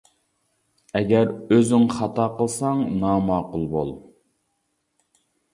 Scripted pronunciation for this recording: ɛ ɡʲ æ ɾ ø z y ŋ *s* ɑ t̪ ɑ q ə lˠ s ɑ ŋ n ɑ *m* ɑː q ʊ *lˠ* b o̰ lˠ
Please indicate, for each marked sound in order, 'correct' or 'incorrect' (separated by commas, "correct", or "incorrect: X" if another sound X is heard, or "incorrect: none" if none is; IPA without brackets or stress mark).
incorrect: χ, correct, correct